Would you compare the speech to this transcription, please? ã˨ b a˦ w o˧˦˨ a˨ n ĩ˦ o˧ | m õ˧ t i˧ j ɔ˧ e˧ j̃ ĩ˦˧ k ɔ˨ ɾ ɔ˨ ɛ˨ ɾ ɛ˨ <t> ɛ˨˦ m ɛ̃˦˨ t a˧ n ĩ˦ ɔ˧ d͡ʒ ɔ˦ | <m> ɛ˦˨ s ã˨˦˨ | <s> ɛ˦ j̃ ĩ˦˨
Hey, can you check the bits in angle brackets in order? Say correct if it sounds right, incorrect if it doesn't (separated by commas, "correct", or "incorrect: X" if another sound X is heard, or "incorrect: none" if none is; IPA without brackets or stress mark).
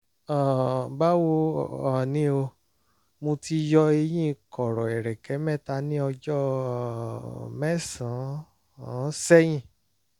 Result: incorrect: k, correct, correct